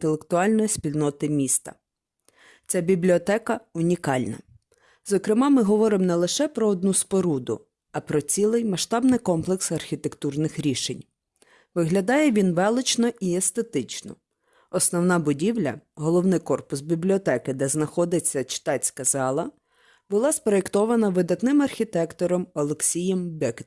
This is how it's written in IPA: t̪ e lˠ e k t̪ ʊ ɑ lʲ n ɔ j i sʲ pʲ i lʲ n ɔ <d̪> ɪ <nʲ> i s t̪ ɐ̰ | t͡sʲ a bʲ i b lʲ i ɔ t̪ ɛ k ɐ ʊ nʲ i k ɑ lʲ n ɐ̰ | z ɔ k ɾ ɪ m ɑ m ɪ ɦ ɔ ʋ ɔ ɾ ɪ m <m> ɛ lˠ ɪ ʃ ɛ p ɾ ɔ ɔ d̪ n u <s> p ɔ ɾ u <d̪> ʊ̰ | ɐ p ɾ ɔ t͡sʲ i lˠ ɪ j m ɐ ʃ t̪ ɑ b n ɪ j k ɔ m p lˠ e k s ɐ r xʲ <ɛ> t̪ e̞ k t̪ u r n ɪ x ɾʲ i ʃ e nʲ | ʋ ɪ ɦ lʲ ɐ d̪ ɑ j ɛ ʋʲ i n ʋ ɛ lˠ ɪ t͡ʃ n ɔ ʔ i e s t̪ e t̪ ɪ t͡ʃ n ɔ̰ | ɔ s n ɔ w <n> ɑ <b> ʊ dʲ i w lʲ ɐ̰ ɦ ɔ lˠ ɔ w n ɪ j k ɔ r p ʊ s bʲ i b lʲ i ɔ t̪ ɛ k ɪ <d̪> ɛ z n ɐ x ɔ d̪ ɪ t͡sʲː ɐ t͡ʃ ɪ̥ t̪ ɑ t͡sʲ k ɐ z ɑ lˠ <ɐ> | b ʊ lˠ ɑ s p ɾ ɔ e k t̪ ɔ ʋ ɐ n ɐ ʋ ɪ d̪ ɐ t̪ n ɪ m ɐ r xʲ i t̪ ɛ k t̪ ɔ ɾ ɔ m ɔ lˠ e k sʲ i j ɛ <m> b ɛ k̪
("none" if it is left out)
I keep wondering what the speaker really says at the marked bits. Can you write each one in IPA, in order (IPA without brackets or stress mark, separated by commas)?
t̪, mʲ, n, s, d̪, i, n, b, d̪, ɐ, m